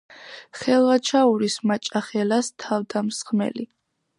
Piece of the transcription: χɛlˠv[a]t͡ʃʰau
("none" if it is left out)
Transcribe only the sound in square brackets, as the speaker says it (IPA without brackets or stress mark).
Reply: a